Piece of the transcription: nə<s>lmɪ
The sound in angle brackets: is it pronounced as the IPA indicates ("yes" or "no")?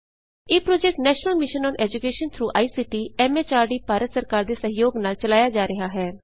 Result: no